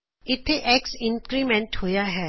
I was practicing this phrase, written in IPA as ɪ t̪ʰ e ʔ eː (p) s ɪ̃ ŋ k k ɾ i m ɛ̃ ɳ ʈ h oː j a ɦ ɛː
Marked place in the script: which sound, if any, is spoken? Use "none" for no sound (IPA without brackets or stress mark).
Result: k